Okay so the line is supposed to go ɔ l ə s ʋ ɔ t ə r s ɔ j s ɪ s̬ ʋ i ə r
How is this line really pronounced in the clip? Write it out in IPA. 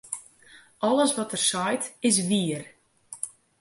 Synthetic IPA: ɔ l ə s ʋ ɔ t ə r s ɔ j t ɪ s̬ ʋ i ə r